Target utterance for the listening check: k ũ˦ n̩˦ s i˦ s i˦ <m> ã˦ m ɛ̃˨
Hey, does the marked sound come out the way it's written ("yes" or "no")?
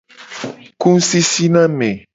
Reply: no